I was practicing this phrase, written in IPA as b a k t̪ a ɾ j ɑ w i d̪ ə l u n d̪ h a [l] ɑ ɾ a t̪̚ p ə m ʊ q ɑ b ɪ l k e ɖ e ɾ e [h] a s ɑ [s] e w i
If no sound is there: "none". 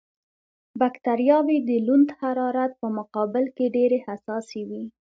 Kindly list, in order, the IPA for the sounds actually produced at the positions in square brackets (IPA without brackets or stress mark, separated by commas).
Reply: ɾ, h, s